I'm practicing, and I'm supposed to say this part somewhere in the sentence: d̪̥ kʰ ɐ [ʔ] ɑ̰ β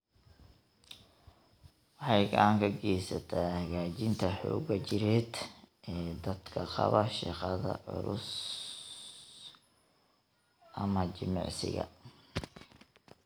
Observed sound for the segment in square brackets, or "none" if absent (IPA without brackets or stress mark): q